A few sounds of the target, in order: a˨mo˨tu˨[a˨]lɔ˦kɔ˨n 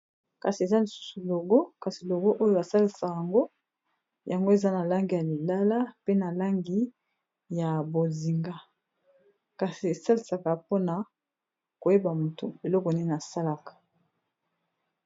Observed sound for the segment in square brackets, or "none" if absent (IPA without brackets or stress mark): e˨